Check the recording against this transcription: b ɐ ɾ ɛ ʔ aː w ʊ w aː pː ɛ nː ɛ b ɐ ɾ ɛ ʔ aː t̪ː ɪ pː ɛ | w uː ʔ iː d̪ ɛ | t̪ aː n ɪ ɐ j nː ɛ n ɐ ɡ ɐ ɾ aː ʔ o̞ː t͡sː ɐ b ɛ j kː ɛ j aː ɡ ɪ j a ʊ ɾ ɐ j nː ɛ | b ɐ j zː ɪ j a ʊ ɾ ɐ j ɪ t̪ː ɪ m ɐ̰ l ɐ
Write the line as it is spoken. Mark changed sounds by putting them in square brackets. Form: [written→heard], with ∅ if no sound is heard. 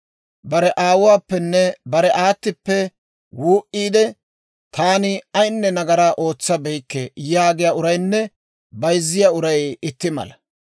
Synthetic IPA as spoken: b ɐ ɾ ɛ ʔ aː w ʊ w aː pː ɛ nː ɛ b ɐ ɾ ɛ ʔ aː t̪ː ɪ pː ɛ | w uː ʔ iː d̪ ɛ | t̪ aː n ɪ ɐ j nː ɛ n ɐ ɡ ɐ ɾ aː ʔ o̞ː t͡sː ɐ b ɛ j kː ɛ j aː ɡ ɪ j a ʊ ɾ ɐ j nː ɛ | b ɐ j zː ɪ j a ʊ ɾ ɐ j ɪ t̪ː ɪ m ɐ̰ l ɐ